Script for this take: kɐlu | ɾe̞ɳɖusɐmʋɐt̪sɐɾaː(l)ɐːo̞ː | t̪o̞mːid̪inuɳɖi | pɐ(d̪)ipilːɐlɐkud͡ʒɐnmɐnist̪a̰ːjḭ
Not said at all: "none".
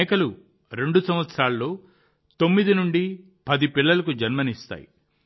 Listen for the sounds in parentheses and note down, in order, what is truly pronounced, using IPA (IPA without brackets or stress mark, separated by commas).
l, d̪